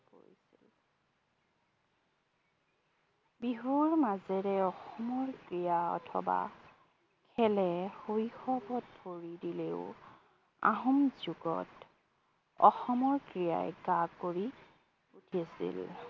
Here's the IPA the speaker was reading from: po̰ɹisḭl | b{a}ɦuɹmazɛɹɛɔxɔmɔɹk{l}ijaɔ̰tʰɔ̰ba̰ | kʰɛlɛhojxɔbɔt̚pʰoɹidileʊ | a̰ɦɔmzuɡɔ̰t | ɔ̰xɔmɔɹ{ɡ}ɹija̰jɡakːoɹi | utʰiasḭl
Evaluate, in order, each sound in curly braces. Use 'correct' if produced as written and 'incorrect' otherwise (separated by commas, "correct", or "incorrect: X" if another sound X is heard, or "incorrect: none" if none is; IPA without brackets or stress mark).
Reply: incorrect: i, incorrect: ɹ, incorrect: k